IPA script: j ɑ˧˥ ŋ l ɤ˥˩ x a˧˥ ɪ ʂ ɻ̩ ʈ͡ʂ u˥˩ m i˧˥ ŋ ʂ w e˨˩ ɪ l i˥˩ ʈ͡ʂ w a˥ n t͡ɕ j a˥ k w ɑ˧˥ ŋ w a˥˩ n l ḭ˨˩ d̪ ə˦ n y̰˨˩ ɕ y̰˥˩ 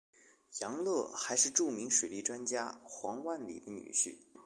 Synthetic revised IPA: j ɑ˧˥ ŋ l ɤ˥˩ x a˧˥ ɪ ʂ ɻ̩ ʈ͡ʂ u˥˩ m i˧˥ ŋ ʂ w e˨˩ ɪ l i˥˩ ʈ͡ʂ w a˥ n t͡ɕ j a˥ x w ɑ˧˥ ŋ w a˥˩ n l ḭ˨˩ d̪ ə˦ n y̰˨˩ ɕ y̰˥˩